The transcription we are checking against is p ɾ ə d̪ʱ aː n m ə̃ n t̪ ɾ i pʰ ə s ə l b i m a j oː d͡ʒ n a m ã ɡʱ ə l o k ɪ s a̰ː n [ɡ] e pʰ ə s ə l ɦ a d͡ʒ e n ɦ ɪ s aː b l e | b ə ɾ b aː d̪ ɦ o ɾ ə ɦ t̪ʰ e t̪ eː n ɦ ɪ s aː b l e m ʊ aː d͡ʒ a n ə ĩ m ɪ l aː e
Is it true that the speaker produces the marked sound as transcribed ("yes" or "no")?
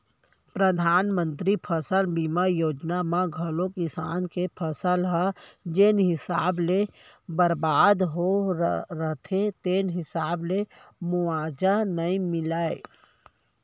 no